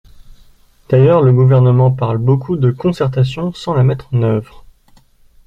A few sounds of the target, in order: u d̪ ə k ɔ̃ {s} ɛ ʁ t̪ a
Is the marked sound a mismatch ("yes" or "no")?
no